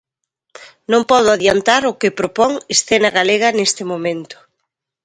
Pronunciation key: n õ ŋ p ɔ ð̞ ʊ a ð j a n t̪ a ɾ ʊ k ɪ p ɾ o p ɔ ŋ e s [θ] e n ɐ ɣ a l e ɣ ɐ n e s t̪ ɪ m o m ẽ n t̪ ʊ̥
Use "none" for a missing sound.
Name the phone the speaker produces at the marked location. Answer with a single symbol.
θ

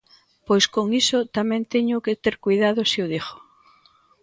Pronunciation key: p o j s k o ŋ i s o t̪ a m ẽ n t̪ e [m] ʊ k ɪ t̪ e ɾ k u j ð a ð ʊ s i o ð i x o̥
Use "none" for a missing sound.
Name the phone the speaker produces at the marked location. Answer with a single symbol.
ɲ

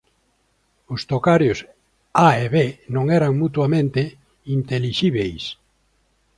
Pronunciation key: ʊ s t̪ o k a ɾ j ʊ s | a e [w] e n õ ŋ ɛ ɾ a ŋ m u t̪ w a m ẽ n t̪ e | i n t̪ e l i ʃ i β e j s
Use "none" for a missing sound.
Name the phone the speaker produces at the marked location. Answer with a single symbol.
β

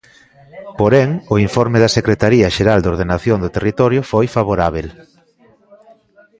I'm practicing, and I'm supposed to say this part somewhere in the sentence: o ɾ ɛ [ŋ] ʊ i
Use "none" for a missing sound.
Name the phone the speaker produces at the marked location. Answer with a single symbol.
ŋ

